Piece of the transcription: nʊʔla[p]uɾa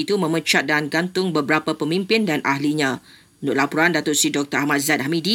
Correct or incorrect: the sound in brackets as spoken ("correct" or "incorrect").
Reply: correct